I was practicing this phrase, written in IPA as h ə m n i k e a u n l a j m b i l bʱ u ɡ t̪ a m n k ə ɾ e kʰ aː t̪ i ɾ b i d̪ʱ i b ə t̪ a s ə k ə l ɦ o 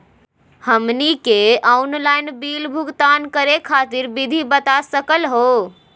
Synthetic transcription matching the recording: h ə m n i k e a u n l a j n b i l bʱ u ɡ t̪ a n k ə ɾ e kʰ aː t̪ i ɾ b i d̪ʱ i b ə t̪ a s ə k ə l ɦ o